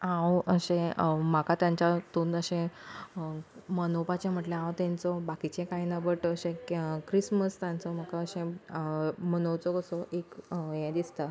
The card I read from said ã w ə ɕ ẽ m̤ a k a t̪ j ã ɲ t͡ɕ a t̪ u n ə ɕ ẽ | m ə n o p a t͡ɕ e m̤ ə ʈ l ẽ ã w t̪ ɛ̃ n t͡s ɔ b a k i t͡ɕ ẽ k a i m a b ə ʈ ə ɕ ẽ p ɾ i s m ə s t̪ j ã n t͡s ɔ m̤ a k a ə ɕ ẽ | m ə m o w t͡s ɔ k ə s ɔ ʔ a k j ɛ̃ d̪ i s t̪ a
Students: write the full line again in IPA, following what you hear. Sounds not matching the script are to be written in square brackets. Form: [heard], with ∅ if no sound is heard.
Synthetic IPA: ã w ə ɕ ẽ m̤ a k a t̪ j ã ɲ t͡ɕ a t̪ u n ə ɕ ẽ | m ə n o p a t͡ɕ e m̤ ə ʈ l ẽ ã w t̪ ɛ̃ n t͡s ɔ b a k i t͡ɕ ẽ k a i [n] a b ə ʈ ə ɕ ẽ [k] ɾ i s m ə s t̪ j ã n t͡s ɔ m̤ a k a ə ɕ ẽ | m ə [n] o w t͡s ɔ k ə s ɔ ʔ [e] k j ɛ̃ d̪ i s t̪ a